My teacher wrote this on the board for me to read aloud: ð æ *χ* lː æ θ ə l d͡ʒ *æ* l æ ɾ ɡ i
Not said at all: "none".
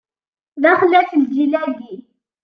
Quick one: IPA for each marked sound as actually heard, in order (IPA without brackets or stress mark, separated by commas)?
χ, i